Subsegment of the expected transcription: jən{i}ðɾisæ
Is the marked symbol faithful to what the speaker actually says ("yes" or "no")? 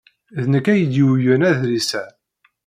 no